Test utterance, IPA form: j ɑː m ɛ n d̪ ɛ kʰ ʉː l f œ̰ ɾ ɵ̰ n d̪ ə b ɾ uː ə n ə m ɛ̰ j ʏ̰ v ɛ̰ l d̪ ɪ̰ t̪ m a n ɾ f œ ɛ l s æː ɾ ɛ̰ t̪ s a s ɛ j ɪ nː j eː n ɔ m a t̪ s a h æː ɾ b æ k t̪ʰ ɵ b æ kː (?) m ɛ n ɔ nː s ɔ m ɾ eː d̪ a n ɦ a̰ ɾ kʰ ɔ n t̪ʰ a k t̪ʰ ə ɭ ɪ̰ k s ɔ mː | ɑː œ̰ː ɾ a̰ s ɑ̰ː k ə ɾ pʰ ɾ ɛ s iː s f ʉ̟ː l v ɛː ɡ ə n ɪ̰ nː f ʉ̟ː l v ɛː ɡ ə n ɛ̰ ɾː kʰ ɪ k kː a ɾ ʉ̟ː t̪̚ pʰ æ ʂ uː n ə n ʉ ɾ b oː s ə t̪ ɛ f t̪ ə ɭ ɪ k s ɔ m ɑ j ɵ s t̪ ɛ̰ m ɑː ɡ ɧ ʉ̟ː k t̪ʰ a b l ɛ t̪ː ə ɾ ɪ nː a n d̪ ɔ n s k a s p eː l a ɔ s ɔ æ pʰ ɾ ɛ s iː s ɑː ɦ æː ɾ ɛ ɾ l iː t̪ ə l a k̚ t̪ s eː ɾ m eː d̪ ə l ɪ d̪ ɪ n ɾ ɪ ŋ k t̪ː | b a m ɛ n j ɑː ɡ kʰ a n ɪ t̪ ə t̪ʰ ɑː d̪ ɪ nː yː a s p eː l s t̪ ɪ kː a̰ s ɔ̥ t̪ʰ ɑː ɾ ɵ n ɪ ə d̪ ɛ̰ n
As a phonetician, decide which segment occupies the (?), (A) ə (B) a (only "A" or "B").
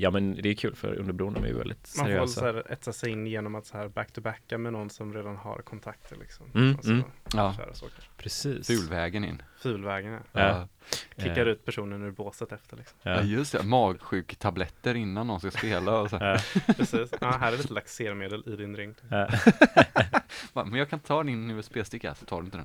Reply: B